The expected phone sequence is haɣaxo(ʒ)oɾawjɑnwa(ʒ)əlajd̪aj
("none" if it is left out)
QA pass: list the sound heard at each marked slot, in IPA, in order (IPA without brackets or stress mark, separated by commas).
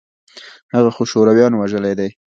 ʃ, ʒ